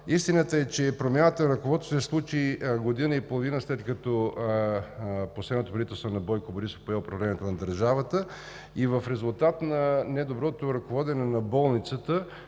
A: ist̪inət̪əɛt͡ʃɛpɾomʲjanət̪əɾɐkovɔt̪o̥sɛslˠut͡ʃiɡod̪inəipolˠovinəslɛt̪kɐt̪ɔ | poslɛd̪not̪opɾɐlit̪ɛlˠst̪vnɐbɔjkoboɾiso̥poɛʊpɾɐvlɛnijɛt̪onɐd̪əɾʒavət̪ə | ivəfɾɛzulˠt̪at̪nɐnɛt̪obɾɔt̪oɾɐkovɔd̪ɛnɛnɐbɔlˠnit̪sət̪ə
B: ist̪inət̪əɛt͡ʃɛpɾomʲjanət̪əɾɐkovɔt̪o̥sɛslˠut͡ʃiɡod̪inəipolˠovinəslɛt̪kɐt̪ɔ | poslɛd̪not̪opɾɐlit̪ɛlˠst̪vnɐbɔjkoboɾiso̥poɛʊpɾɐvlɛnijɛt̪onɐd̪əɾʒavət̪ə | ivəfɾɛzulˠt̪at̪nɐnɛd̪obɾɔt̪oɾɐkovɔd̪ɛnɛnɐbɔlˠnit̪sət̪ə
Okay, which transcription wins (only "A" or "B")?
B